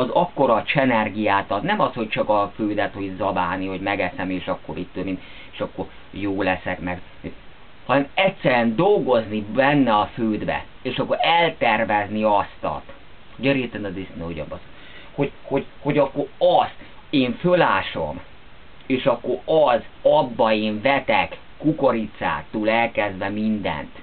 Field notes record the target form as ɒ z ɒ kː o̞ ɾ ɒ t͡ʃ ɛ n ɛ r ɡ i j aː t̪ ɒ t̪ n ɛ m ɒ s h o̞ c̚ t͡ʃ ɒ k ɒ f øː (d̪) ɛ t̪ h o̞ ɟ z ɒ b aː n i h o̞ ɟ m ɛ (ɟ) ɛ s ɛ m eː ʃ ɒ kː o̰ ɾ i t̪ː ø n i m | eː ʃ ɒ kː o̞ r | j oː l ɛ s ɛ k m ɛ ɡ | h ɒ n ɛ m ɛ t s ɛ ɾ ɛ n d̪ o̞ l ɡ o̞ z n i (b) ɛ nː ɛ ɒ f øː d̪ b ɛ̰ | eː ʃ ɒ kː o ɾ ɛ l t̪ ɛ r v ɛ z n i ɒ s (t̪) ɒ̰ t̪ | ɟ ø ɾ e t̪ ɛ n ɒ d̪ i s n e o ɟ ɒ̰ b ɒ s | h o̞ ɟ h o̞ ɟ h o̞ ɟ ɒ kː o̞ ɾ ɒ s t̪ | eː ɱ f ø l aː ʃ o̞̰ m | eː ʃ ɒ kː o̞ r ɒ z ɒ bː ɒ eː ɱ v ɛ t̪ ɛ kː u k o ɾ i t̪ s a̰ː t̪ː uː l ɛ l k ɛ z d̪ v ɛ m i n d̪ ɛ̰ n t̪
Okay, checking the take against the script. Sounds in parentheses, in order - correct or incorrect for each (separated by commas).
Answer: correct, incorrect, correct, correct